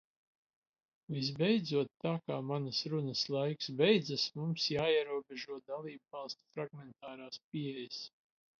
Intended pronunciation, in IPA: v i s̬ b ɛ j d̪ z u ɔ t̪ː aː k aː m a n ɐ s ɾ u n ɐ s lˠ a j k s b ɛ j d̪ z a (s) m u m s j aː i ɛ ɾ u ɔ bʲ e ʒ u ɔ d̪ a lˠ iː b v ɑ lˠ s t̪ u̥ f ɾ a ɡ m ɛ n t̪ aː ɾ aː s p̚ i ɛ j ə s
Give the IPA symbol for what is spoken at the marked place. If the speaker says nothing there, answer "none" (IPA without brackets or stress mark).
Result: s